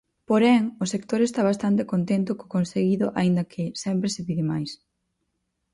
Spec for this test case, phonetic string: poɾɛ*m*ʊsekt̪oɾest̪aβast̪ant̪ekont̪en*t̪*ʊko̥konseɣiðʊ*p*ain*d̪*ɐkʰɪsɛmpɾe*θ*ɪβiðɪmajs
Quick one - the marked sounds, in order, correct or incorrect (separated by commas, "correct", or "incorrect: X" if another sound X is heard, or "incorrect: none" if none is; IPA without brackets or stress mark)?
incorrect: ŋ, correct, incorrect: ʔ, correct, incorrect: s